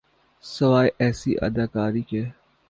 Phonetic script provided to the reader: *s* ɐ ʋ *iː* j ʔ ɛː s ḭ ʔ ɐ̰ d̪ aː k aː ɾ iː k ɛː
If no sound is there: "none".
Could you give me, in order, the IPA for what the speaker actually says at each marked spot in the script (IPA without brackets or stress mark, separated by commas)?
s, aː